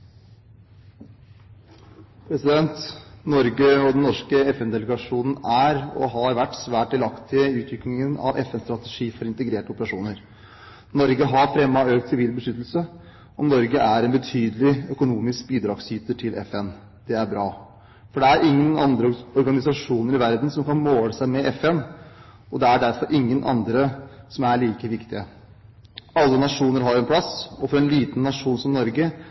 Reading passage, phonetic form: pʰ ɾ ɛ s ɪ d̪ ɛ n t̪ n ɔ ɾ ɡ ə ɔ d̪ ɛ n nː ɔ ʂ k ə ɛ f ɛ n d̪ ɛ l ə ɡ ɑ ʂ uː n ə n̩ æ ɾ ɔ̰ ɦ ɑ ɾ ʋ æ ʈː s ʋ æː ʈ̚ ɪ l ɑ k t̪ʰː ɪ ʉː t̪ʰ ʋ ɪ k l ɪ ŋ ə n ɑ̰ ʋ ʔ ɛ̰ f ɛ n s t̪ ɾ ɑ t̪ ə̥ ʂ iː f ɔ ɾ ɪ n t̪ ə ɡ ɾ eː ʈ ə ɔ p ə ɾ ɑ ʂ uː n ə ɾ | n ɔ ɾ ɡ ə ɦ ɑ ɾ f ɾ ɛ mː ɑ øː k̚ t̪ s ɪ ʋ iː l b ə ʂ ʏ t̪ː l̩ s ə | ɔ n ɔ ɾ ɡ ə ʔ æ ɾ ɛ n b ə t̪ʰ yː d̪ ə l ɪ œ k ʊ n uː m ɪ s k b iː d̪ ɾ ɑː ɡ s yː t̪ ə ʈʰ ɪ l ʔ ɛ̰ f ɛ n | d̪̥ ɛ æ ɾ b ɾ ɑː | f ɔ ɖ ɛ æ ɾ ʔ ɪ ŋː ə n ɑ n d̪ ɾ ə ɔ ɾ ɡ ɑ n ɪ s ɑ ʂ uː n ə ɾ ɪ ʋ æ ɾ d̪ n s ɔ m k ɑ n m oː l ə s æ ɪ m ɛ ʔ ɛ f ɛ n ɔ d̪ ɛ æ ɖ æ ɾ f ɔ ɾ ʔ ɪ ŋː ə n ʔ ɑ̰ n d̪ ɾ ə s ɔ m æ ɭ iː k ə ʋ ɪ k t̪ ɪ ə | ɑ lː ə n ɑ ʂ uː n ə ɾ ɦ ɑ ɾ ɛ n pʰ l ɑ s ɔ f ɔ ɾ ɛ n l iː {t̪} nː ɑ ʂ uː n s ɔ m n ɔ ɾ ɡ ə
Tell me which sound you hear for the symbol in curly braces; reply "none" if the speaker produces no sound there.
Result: t̪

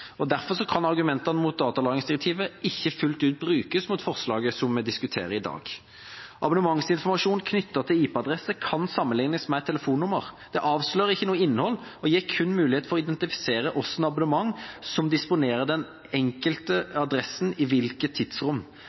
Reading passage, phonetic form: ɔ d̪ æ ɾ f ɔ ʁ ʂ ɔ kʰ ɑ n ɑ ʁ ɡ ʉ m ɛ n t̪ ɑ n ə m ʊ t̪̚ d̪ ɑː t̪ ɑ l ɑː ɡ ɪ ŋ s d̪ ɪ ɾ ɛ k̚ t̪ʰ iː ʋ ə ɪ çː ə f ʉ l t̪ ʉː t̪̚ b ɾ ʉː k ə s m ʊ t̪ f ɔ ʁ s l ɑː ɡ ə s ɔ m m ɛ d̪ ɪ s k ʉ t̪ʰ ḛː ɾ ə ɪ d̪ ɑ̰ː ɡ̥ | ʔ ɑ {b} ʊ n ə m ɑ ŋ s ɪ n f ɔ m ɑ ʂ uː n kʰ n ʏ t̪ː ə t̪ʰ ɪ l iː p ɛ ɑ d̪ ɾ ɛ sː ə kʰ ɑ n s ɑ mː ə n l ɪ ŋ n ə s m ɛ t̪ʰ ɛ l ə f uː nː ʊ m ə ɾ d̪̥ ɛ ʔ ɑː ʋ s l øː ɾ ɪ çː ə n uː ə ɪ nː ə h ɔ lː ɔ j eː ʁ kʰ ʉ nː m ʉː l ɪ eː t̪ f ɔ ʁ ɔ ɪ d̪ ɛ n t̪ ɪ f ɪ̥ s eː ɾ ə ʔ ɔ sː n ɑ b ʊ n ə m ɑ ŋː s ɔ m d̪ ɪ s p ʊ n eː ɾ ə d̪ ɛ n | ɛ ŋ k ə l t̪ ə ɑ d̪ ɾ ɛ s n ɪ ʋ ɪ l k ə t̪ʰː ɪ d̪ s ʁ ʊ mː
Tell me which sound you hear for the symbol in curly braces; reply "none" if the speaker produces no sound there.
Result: b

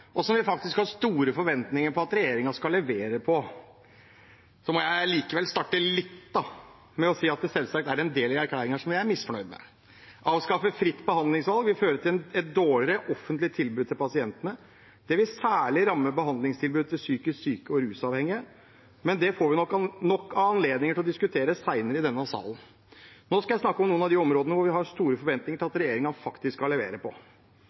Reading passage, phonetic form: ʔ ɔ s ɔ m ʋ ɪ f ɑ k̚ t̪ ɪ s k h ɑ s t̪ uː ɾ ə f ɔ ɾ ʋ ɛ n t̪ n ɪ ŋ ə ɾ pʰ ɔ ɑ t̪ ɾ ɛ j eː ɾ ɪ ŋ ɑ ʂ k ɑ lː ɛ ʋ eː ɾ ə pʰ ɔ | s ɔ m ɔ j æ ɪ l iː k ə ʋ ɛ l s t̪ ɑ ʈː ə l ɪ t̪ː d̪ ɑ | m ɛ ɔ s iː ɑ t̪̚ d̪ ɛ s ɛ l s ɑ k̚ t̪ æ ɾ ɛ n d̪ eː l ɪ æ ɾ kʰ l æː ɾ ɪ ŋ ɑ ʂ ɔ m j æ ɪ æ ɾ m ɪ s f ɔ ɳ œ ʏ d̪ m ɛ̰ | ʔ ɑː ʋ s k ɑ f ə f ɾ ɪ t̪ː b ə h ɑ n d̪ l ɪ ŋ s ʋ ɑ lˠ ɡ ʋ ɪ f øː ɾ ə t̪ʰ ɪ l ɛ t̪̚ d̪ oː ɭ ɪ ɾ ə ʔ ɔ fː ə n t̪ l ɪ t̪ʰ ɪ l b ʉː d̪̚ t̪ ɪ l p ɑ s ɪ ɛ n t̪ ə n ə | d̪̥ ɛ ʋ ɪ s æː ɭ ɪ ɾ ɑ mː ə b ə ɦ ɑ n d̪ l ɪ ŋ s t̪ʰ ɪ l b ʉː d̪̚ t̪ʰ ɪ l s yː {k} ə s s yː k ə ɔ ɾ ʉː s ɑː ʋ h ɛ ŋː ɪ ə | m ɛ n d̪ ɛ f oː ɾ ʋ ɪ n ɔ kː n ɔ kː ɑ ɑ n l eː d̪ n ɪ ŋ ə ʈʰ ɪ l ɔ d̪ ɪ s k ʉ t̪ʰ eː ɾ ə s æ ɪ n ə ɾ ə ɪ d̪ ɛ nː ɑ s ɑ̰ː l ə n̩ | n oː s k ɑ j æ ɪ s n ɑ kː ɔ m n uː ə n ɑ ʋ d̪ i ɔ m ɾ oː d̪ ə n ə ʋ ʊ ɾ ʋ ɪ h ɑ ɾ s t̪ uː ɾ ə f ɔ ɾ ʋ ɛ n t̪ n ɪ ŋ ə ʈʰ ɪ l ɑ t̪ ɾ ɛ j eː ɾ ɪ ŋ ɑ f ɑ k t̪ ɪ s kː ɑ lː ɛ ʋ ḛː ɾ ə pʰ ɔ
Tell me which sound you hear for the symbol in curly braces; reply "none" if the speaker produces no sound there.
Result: k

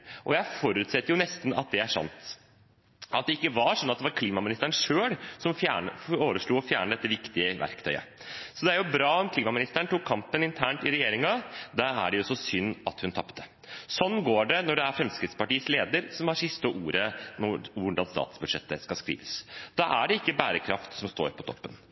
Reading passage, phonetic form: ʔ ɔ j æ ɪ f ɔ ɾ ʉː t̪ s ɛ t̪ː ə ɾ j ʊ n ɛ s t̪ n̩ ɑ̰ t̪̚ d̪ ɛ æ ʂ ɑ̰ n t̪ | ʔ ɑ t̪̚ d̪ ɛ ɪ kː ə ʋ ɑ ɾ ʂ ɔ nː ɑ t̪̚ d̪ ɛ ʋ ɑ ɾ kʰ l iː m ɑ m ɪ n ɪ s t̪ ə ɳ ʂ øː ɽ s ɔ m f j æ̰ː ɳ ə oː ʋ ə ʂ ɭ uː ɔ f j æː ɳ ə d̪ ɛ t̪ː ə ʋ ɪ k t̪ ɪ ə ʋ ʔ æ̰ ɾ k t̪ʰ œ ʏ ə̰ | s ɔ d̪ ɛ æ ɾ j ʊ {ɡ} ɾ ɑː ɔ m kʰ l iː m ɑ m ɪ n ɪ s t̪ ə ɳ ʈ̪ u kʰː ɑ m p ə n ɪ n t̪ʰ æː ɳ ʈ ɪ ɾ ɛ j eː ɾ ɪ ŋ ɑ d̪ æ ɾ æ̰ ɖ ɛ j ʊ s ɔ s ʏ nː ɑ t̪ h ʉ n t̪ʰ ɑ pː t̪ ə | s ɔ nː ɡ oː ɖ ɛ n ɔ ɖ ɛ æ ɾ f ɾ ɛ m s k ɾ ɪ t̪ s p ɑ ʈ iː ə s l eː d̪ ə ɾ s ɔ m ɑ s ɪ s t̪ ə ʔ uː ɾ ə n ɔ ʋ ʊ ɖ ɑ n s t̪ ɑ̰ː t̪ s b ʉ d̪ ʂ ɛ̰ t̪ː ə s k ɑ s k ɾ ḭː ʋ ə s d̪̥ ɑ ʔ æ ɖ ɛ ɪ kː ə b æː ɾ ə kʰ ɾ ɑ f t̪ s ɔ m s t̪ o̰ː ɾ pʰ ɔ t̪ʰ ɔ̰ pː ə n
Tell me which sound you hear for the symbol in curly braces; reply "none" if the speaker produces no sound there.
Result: b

